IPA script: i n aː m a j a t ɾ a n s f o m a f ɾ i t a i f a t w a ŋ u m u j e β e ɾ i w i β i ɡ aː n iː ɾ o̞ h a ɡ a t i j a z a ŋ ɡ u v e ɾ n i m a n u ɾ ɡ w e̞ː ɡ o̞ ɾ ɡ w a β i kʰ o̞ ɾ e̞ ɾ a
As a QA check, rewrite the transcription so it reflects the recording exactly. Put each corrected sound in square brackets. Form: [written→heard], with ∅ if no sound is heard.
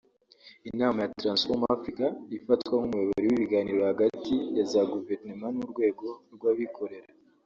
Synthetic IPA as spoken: i n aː m a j a t ɾ a n s f o m a f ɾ i [t→k] a i f a t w a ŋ u m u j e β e ɾ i w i β i ɡ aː n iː ɾ o̞ h a ɡ a t i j a z a [ŋ→∅] ɡ u v e ɾ n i m a n u ɾ ɡ w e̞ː ɡ o̞ ɾ ɡ w a β i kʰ o̞ ɾ e̞ ɾ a